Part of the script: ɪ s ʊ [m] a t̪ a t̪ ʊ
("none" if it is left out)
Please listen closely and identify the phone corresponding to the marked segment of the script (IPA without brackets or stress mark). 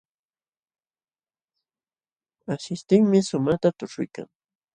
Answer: m